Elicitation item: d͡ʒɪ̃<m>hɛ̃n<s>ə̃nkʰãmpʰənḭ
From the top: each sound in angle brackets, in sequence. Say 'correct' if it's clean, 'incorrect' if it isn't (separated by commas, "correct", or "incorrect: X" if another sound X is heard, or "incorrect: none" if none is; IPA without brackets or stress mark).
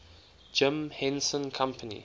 correct, correct